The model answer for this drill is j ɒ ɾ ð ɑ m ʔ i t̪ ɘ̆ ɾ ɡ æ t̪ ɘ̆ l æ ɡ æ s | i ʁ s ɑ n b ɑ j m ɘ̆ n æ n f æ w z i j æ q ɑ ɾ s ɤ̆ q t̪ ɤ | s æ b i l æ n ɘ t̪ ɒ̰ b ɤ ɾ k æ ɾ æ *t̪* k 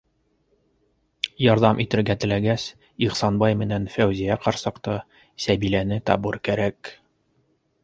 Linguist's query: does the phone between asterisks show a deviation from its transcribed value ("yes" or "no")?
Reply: yes